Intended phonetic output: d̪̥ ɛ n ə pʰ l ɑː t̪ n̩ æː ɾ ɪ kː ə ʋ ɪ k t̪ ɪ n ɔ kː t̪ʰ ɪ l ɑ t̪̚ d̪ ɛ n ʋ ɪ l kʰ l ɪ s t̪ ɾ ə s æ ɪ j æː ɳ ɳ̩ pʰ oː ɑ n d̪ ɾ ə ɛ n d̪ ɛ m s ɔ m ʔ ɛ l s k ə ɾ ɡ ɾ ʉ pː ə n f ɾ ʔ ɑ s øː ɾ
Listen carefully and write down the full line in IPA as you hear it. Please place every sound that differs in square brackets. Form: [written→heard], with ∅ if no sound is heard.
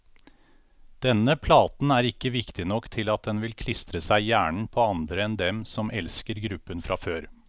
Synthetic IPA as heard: d̪̥ ɛ n ə pʰ l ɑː t̪ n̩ æː ɾ ɪ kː ə ʋ ɪ k t̪ ɪ n ɔ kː t̪ʰ ɪ l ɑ t̪̚ d̪ ɛ n ʋ ɪ l kʰ l ɪ s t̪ ɾ ə s æ ɪ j æː ɳ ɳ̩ pʰ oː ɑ n d̪ ɾ ə ɛ n d̪ ɛ m s ɔ m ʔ ɛ l s k ə ɾ ɡ ɾ ʉ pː ə n f ɾ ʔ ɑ [s→f] øː ɾ

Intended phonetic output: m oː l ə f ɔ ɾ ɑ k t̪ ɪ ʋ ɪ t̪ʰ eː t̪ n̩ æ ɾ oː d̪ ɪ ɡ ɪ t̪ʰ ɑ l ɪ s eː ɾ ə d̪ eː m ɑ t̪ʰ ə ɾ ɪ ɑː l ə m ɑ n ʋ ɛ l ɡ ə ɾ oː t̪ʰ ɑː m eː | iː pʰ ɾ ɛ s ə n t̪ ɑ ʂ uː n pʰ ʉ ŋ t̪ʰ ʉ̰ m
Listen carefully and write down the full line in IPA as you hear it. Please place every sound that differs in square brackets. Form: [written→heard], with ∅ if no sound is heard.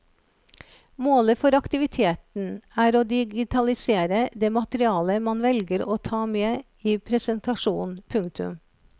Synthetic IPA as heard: m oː l ə f ɔ ɾ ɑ k t̪ ɪ ʋ ɪ t̪ʰ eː t̪ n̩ [æ→æː] ɾ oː d̪ ɪ ɡ ɪ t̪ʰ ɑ l ɪ s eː ɾ ə d̪ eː m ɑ [t̪ʰ→t̪] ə ɾ ɪ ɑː l ə m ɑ n ʋ ɛ l ɡ ə ɾ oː t̪ʰ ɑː m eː | iː pʰ ɾ ɛ s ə n t̪ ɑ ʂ uː n pʰ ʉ ŋ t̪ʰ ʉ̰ m

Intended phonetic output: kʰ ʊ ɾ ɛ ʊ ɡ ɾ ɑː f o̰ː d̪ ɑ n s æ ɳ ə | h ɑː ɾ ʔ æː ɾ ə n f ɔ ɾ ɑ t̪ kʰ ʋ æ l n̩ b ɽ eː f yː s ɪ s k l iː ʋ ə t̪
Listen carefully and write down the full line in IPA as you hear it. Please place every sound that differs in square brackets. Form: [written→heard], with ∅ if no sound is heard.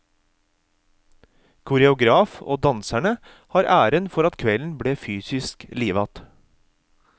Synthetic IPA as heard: kʰ ʊ ɾ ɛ ʊ ɡ ɾ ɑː f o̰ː d̪ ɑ n s æ ɳ ə | h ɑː ɾ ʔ æː ɾ ə n f ɔ ɾ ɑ t̪ kʰ ʋ [æ→ɛ] l n̩ b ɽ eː f yː s ɪ s k l iː ʋ [ə→ɑ] t̪

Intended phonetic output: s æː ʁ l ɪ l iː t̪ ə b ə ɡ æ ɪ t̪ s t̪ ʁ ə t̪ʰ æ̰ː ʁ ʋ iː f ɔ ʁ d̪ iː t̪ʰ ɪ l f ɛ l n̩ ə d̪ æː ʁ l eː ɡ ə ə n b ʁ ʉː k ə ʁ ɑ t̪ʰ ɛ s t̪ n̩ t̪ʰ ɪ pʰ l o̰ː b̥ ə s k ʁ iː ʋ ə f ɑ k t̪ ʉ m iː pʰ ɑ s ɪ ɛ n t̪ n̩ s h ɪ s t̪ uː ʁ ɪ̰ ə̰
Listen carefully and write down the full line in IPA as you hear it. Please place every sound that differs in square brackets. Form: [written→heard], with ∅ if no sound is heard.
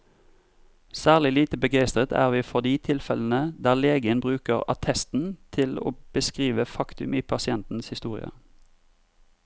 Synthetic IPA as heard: s æː ʁ l ɪ l iː t̪ ə b ə ɡ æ ɪ [t̪→∅] s t̪ ʁ ə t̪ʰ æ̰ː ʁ ʋ iː f ɔ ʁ d̪ iː t̪ʰ ɪ l f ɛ l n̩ ə d̪ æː ʁ l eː ɡ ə ə n b ʁ ʉː k ə ʁ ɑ t̪ʰ ɛ s t̪ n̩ t̪ʰ ɪ [pʰ→∅] l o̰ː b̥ ə s k ʁ iː ʋ ə f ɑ k t̪ ʉ m iː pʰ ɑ s ɪ ɛ n t̪ n̩ s h ɪ s t̪ uː ʁ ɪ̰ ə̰

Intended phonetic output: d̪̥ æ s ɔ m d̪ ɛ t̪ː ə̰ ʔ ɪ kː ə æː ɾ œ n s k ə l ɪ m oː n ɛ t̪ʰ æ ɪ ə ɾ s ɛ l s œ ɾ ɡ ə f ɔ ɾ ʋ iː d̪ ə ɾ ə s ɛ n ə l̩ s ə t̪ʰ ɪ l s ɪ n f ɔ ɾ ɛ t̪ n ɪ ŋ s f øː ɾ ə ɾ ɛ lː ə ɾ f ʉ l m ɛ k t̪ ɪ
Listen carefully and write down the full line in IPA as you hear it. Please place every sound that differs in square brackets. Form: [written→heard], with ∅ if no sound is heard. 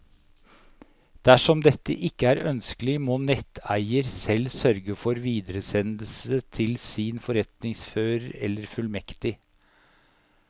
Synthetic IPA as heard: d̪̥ æ [s→ʂ] ɔ m d̪ ɛ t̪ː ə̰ ʔ ɪ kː ə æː ɾ œ n s k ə l ɪ m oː n ɛ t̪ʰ æ ɪ ə ɾ s ɛ l s œ ɾ ɡ ə f ɔ ɾ ʋ iː d̪ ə ɾ ə s ɛ n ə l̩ s ə t̪ʰ ɪ l s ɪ n f ɔ ɾ ɛ t̪ n ɪ ŋ s f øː ɾ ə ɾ ɛ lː ə ɾ f ʉ l m ɛ k t̪ ɪ

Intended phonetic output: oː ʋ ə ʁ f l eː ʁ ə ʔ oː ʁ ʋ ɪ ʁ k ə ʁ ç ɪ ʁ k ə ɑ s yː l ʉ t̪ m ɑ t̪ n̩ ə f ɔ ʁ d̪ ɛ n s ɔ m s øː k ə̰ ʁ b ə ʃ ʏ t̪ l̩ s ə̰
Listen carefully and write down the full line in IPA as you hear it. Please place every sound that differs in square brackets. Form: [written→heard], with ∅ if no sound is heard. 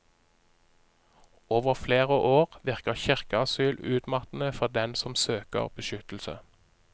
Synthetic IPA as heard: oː ʋ ə ʁ f l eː ʁ ə ʔ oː ʁ ʋ ɪ ʁ k ə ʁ ç ɪ ʁ k ə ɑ s yː l [ʉ→ʉː] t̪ m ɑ t̪ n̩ ə f ɔ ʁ d̪ ɛ n s ɔ m s øː k ə̰ ʁ b ə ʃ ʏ t̪ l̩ s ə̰

